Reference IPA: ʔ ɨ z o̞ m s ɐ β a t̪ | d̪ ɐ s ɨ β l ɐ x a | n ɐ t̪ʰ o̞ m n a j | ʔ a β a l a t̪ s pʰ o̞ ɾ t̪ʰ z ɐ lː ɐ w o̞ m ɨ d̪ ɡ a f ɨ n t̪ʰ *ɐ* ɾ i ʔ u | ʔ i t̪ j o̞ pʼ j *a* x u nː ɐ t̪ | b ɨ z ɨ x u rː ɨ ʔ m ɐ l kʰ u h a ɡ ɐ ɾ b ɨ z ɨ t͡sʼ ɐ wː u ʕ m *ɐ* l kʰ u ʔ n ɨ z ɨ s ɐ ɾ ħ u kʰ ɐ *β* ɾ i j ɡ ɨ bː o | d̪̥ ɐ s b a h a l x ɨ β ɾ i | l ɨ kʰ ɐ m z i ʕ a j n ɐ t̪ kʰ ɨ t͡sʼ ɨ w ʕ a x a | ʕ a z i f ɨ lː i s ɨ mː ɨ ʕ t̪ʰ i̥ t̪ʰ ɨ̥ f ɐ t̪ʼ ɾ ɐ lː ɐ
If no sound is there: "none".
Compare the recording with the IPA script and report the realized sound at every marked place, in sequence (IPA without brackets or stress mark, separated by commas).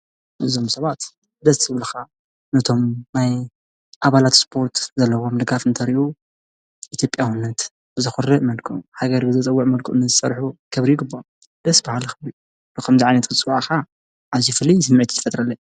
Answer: ɐ, a, ɐ, β